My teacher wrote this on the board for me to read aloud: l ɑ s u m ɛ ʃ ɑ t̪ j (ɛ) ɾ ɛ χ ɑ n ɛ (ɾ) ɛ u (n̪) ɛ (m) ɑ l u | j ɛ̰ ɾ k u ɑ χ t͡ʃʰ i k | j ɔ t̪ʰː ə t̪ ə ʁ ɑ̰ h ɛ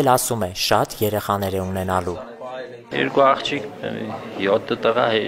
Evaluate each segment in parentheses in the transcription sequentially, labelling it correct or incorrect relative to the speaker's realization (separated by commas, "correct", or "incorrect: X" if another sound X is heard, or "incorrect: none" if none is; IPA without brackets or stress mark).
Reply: correct, correct, correct, incorrect: n